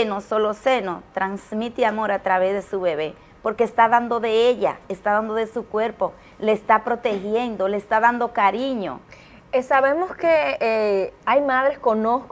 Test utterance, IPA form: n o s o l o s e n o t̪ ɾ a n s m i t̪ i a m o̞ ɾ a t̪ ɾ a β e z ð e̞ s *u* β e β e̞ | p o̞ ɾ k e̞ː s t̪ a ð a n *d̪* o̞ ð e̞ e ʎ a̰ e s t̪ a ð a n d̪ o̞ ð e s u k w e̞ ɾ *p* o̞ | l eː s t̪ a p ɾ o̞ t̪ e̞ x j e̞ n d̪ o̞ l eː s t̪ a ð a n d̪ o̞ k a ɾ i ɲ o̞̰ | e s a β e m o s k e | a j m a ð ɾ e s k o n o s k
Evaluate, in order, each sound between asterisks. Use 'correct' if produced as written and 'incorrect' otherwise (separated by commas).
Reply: correct, correct, correct